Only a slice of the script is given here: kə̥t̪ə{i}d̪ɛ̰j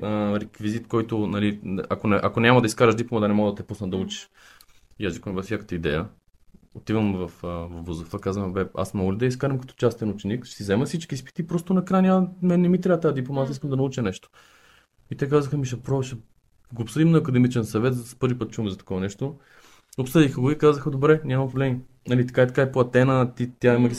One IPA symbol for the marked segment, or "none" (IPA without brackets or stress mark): i